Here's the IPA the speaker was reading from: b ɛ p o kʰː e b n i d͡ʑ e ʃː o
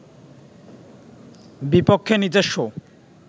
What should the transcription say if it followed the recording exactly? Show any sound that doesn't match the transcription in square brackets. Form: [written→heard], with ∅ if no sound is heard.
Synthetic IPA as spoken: b [ɛ→i] p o kʰː e [b→∅] n i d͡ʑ e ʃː o